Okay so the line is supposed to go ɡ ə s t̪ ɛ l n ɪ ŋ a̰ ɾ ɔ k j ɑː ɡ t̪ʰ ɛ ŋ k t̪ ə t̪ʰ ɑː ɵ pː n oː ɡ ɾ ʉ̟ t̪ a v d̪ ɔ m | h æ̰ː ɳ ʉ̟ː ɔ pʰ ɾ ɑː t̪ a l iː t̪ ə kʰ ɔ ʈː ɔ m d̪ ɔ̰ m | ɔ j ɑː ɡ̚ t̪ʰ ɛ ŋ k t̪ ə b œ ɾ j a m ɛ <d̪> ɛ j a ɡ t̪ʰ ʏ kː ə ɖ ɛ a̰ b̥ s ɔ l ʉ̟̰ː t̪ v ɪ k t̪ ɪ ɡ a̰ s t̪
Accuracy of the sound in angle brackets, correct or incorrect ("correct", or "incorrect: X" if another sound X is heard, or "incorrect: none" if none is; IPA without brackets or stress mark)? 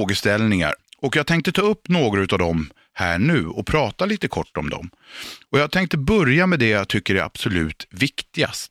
correct